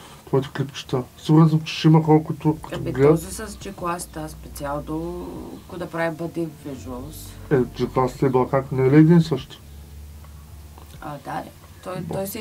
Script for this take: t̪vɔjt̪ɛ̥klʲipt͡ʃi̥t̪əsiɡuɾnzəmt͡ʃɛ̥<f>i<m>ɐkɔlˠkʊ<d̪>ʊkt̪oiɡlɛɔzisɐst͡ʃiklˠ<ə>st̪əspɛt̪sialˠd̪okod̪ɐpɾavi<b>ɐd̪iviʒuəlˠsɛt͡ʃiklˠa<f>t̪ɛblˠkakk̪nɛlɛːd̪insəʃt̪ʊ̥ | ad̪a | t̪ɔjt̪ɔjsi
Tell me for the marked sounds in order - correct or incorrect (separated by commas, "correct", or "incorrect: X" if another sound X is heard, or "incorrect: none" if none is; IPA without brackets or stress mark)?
incorrect: ʃ, correct, incorrect: t̪, incorrect: a, correct, incorrect: s